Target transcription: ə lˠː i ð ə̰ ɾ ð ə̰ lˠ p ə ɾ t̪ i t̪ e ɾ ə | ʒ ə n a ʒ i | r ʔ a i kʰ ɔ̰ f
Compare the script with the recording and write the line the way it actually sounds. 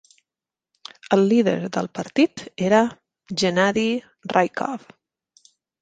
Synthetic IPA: ə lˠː i ð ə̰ ɾ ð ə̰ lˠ p ə ɾ t̪ i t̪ e ɾ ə | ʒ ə n a ð i | r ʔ a j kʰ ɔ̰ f